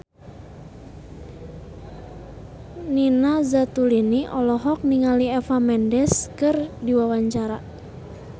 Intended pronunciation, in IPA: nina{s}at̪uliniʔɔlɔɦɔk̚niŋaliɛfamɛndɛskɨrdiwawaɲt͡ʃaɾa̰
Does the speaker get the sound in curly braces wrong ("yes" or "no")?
yes